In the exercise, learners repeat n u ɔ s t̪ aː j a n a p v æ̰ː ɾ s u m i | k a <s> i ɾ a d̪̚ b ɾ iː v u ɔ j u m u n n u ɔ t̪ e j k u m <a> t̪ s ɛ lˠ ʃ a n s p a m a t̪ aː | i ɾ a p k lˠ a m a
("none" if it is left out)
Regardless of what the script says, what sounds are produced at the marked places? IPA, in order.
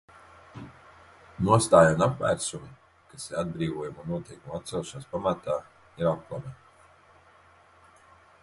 s, a

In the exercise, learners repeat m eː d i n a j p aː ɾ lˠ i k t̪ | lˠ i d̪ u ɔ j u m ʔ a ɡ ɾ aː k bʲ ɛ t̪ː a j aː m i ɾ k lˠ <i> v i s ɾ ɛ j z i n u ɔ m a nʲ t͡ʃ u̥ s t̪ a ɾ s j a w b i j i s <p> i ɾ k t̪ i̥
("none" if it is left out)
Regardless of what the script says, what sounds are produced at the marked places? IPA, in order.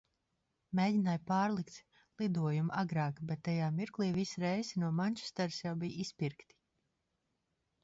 iː, p

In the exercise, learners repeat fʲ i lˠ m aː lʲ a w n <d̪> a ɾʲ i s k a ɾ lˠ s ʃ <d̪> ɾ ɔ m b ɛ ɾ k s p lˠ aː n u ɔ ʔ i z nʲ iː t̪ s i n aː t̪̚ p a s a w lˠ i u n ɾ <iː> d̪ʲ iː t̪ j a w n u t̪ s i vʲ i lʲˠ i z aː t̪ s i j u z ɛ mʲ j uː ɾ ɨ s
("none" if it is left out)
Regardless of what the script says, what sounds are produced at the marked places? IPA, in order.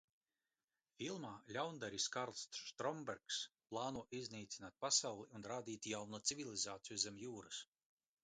d̪, t̪, aː

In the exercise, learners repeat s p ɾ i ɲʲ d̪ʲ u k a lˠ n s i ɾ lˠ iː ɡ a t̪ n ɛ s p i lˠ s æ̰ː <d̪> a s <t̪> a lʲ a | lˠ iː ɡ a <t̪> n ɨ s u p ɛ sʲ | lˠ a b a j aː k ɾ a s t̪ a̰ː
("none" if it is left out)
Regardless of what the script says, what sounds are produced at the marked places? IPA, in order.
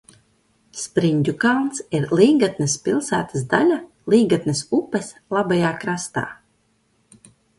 t̪, d̪, t̪

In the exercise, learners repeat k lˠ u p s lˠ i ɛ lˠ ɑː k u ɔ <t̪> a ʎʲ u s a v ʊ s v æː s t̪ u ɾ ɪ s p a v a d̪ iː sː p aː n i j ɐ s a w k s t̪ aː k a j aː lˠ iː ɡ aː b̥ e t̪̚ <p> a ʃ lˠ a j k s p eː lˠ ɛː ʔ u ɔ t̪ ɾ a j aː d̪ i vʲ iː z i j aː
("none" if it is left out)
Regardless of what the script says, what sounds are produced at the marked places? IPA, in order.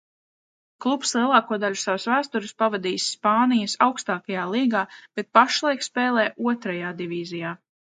d̪, p

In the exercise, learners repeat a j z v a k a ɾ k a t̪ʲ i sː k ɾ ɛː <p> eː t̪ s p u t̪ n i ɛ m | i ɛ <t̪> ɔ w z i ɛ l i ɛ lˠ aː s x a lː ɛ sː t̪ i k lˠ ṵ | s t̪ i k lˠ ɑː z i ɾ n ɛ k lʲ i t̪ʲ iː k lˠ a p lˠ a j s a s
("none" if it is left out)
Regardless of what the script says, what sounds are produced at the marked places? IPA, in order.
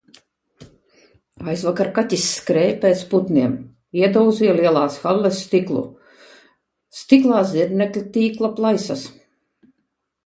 p, d̪

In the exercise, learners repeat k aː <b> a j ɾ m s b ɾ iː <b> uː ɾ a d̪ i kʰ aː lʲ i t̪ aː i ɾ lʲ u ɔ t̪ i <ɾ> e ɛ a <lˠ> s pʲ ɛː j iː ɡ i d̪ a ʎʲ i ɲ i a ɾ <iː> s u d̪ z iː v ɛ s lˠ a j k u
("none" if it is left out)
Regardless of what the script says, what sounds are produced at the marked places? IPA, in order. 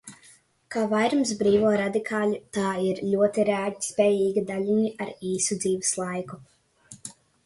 v, v, ɾ, none, iː

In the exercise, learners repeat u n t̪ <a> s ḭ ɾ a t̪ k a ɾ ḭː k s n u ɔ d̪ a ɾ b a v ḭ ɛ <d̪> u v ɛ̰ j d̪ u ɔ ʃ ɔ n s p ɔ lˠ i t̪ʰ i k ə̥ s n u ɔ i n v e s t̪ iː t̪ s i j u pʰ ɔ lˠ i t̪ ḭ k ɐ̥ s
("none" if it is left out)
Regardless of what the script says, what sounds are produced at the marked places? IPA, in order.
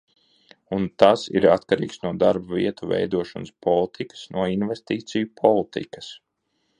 a, t̪

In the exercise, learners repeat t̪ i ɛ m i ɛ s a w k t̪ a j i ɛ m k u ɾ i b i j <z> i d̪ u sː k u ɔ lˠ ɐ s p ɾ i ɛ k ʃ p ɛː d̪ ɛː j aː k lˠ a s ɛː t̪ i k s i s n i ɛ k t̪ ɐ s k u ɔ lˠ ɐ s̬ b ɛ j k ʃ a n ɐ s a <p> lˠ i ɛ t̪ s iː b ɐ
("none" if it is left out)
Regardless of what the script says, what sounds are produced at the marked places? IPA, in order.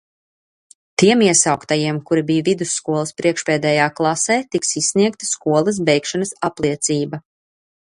v, p

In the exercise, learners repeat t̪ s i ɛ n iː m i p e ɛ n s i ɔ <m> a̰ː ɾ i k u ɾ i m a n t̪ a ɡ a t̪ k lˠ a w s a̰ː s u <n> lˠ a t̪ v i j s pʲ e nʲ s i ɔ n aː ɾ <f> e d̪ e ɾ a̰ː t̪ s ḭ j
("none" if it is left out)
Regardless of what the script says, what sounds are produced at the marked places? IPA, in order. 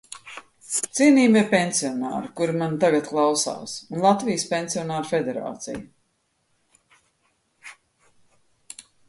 n, n, f

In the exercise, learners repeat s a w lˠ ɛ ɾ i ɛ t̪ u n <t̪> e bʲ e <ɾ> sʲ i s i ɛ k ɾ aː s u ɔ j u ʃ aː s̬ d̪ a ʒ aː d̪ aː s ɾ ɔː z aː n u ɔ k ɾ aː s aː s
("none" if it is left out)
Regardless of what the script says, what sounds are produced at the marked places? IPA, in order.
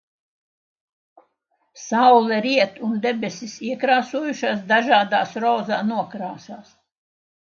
d̪, none

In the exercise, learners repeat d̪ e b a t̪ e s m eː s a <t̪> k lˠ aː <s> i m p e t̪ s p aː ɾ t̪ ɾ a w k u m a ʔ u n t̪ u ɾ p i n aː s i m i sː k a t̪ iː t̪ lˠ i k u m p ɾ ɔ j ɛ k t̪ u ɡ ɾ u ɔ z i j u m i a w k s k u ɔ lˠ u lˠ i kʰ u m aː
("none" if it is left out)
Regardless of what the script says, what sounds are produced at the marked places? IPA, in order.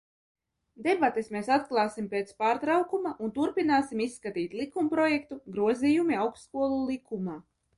t̪, s

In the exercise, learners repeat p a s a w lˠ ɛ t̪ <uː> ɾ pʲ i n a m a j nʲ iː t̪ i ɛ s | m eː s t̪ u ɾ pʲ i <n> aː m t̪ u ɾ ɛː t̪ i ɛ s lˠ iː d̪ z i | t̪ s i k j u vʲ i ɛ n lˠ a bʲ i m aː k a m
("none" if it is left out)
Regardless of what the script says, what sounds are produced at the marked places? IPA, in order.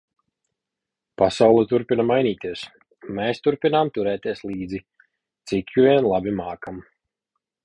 u, n

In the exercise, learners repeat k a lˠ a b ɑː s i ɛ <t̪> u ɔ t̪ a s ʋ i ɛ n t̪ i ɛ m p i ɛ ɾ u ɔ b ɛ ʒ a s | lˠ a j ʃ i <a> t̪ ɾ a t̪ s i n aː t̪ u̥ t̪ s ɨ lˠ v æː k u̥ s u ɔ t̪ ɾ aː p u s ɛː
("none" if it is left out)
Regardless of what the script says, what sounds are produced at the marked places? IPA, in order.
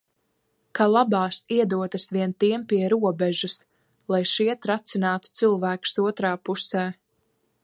d̪, ɛ

